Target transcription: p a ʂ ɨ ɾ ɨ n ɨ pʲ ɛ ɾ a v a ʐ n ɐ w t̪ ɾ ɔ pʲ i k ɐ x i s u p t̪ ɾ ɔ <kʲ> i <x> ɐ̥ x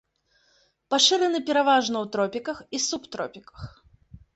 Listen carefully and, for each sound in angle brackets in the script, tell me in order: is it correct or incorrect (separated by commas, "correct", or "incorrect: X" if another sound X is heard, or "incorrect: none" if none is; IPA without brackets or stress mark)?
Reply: incorrect: pʲ, incorrect: k